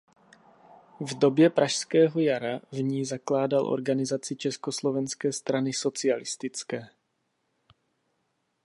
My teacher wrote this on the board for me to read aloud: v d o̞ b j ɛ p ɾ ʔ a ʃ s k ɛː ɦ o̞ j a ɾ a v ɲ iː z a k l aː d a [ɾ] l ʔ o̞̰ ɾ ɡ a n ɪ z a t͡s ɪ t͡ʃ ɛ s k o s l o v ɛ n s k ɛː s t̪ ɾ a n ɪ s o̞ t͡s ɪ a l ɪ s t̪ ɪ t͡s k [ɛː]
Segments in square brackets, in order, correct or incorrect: incorrect: none, correct

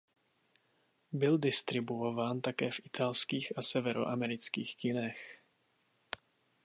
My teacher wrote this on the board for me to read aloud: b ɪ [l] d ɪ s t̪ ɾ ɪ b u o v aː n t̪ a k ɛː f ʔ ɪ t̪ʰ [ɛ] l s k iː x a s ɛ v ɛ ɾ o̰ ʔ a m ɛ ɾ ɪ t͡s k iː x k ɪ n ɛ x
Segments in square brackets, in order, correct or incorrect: correct, incorrect: a

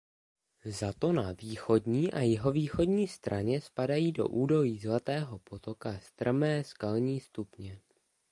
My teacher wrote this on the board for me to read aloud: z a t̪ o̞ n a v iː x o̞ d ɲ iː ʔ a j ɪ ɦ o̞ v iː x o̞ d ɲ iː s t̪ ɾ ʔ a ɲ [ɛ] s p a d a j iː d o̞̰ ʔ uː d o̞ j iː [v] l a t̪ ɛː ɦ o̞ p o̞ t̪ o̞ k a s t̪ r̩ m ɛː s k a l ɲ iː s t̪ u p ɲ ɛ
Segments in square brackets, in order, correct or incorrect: correct, incorrect: z

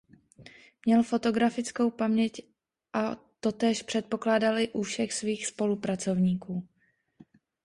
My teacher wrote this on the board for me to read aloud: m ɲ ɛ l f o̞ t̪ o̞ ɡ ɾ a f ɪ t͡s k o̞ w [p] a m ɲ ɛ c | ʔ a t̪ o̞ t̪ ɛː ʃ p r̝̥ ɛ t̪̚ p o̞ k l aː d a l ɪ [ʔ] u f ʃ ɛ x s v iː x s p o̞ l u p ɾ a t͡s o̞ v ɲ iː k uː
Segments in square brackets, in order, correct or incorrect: correct, correct

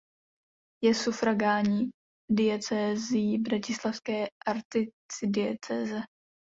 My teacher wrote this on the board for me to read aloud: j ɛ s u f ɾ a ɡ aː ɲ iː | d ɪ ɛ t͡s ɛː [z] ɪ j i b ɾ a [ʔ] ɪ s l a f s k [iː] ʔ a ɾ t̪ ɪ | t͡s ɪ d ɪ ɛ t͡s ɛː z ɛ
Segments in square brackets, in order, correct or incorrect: correct, incorrect: c, incorrect: ɛː

